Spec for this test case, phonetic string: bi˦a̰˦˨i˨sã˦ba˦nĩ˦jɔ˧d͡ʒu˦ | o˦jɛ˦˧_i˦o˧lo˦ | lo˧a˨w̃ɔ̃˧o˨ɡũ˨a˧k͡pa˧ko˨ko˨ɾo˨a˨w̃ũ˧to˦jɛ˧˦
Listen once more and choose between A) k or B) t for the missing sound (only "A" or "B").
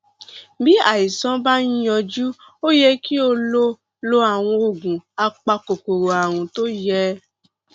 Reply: A